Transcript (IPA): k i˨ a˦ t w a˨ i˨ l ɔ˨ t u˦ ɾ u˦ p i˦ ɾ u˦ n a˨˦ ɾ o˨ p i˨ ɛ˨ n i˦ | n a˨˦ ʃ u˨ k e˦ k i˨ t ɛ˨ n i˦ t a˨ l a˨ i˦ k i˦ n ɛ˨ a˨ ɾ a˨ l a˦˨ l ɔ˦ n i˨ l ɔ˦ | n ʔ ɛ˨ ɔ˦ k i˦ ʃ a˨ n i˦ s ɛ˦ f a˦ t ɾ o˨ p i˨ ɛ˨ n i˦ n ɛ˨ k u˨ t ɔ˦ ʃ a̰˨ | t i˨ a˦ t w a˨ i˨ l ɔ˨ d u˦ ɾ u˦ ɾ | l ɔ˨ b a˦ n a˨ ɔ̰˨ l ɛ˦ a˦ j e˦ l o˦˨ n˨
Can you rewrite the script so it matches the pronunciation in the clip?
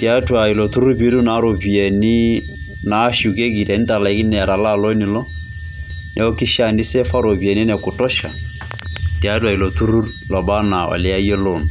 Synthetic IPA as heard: t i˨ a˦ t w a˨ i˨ l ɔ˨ t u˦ ɾ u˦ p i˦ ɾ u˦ n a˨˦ ɾ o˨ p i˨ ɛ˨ n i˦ | n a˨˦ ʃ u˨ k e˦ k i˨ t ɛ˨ n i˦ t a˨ l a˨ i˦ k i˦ n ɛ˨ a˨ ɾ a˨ l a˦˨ l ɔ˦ n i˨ l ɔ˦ | n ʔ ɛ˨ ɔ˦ k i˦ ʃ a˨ n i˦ s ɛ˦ f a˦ ɾ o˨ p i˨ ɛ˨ n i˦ n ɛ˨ k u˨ t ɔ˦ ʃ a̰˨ | t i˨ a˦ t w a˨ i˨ l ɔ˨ t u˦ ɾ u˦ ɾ | l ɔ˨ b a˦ n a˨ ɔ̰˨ l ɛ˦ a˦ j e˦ l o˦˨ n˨